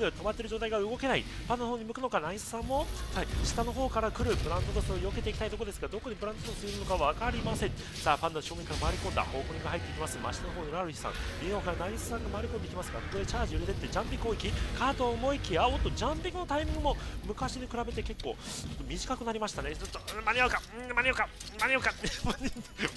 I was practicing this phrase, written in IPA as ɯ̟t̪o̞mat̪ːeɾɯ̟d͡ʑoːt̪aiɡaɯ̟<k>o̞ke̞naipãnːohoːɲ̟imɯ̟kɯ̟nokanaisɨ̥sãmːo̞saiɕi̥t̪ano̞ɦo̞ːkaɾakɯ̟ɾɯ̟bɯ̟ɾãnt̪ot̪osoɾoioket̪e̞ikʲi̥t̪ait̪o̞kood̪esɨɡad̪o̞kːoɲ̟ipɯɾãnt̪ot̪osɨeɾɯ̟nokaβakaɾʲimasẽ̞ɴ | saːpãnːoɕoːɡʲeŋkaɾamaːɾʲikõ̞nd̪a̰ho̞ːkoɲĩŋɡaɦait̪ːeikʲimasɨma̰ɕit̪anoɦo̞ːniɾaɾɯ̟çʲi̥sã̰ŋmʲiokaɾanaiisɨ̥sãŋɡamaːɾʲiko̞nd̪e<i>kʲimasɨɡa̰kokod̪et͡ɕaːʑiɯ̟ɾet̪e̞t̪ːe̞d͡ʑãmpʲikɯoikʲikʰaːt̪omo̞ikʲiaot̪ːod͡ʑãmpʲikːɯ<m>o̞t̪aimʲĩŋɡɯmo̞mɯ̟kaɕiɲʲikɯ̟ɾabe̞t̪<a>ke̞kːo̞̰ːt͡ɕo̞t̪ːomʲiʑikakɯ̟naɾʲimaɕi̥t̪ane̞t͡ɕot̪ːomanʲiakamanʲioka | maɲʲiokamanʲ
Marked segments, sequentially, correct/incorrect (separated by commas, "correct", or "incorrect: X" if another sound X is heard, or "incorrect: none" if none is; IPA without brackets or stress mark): incorrect: ɡ, correct, incorrect: n, incorrect: e